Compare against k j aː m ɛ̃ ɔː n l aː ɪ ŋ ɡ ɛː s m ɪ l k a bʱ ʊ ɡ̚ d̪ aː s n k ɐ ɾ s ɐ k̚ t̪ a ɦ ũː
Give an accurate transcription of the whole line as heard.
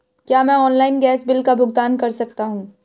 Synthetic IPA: k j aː m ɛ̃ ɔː n l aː ɪ n ɡ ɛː s b ɪ l k a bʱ ʊ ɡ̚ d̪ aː n k ɐ ɾ s ɐ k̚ t̪ a ɦ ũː